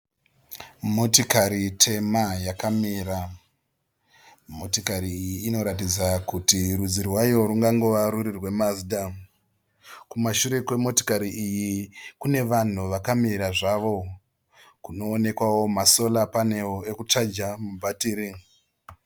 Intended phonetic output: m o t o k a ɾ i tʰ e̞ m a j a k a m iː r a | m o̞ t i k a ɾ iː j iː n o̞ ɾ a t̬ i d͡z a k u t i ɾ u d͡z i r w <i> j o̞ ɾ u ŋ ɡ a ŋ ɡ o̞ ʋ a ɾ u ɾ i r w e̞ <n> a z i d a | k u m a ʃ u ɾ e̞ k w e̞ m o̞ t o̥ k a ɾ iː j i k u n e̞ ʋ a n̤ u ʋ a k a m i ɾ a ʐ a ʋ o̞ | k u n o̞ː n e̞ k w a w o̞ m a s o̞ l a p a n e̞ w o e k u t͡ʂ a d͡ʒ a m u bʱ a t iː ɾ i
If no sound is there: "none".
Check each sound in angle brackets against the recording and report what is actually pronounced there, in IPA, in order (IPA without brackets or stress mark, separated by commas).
a, m